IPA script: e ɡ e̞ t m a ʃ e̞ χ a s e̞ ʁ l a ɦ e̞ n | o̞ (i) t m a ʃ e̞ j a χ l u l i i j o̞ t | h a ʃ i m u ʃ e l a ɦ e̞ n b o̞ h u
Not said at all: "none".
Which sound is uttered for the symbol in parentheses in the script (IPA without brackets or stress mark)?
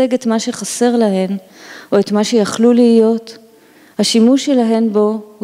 e